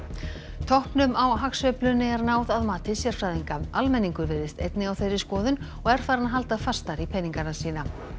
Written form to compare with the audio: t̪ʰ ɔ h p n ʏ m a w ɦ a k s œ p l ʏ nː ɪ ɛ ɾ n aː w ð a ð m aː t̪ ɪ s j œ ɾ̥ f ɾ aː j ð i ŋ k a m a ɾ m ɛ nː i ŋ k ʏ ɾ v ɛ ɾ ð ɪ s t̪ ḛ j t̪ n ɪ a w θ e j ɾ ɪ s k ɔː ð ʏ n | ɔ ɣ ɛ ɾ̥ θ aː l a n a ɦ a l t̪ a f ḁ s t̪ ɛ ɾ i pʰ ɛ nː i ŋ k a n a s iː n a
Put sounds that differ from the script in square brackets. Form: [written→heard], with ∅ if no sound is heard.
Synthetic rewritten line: t̪ʰ ɔ h p n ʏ m a w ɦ a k s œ p l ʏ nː ɪ ɛ ɾ n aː w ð a ð m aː t̪ ɪ s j [œ→ɛ] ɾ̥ f ɾ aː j ð i ŋ k a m a [ɾ→l] m ɛ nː i ŋ k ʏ ɾ v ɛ ɾ ð ɪ s t̪ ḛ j t̪ n ɪ a w θ e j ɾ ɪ s k ɔː ð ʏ n | ɔ ɣ ɛ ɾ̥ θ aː [l→ɾ] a n a ɦ a l t̪ a f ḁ s t̪ [ɛ→a] ɾ i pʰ ɛ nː i ŋ k a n a s iː n a

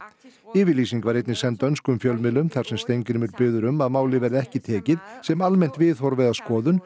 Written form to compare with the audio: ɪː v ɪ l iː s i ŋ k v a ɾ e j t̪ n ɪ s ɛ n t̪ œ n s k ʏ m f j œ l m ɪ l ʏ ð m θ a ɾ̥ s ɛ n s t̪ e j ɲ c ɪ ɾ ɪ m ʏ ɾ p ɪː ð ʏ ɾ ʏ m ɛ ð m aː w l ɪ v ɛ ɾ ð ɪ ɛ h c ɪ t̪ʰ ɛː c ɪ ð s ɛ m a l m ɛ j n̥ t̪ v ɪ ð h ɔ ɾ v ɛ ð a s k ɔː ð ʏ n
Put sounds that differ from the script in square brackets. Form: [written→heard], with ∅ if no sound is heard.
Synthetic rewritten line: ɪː v ɪ l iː s i ŋ k v a ɾ e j t̪ n ɪ s ɛ n t̪ œ n s k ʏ m f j œ l m ɪ l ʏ [ð→∅] m θ a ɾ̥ s ɛ [n→m] s t̪ e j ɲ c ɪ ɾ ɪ m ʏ ɾ p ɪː ð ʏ ɾ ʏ m [ɛ→a] ð m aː w l ɪ v ɛ ɾ ð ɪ ɛ h c ɪ t̪ʰ ɛː c ɪ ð s ɛ m a l m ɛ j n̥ t̪ v ɪ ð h ɔ ɾ v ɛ ð a s k ɔː ð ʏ n

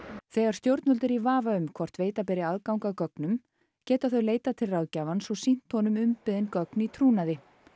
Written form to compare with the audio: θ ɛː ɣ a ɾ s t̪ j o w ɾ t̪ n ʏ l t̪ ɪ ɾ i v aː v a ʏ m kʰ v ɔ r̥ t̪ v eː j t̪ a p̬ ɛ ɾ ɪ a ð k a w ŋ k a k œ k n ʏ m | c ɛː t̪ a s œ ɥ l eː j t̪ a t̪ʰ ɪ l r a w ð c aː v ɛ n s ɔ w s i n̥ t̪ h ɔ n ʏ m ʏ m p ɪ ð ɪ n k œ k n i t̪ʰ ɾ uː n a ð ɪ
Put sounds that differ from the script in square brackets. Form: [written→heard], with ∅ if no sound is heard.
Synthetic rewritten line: θ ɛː ɣ a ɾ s t̪ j o w ɾ t̪ n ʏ l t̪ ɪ ɾ i v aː v a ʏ m kʰ v ɔ r̥ t̪ v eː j t̪ a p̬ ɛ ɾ ɪ a ð k a w ŋ k a k œ k n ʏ m | c ɛː t̪ a [s→θ] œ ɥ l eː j t̪ a t̪ʰ ɪ l r a w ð c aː v [ɛ→a] n s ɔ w s i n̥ t̪ h ɔ n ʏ m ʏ m p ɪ ð ɪ n k œ k n i t̪ʰ ɾ uː n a ð ɪ

